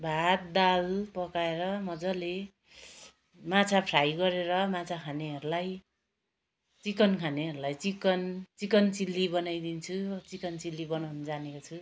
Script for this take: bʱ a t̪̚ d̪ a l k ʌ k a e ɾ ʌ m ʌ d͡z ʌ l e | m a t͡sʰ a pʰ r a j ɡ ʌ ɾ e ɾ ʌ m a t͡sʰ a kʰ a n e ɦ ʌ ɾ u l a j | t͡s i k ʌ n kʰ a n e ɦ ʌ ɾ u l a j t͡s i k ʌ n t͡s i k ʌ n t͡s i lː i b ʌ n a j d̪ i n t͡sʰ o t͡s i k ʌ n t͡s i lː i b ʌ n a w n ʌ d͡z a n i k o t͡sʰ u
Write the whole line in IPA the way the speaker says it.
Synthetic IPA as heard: bʱ a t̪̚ d̪ a l p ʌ k a e ɾ ʌ m ʌ d͡z ʌ l e | m a t͡sʰ a pʰ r a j ɡ ʌ ɾ e ɾ ʌ m a t͡sʰ a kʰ a n e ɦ ʌ ɾ u l a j | t͡s i k ʌ n kʰ a n e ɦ ʌ ɾ u l a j t͡s i k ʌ n t͡s i k ʌ n t͡s i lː i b ʌ n a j d̪ i n t͡sʰ u t͡s i k ʌ n t͡s i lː i b ʌ n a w n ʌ d͡z a n e k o t͡sʰ u